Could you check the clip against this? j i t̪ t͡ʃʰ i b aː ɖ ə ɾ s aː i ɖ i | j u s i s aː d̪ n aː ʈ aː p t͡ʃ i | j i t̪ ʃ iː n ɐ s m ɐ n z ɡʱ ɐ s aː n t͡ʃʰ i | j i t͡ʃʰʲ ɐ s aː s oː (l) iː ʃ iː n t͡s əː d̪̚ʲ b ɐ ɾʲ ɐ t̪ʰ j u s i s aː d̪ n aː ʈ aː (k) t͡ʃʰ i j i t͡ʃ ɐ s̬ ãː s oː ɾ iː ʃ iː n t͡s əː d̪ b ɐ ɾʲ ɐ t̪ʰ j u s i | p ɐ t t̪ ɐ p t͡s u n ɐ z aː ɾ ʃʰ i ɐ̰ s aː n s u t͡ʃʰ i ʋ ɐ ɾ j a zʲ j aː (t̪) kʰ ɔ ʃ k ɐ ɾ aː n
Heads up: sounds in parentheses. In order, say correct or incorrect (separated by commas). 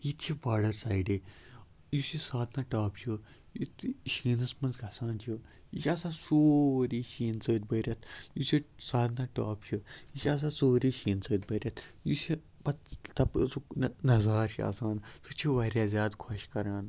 incorrect, incorrect, incorrect